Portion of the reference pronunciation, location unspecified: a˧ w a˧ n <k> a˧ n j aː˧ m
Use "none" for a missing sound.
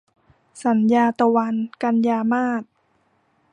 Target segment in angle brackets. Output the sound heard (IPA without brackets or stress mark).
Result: k